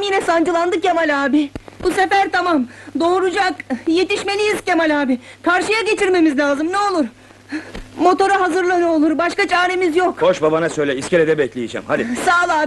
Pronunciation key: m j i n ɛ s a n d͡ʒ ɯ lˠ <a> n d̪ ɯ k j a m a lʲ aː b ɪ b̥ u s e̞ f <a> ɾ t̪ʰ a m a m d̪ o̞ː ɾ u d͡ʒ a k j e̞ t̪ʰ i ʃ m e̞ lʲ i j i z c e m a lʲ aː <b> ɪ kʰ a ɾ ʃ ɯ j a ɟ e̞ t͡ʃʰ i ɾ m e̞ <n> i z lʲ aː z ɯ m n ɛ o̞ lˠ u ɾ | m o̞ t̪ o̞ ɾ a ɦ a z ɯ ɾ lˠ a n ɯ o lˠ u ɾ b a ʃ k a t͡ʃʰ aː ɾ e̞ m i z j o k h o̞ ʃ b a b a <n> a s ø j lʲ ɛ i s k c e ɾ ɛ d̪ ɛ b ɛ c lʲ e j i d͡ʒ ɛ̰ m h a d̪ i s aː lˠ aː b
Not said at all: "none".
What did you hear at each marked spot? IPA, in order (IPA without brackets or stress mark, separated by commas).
a, æ, b, m, n